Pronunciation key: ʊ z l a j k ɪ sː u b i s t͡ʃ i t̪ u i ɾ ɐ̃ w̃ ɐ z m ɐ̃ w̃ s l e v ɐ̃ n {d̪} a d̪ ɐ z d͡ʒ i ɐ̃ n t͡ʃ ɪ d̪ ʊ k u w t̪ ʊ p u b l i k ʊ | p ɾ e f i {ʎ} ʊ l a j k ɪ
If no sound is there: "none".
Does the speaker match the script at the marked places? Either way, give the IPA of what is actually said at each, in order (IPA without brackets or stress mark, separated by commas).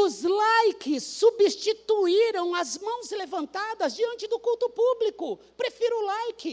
t̪, ɾ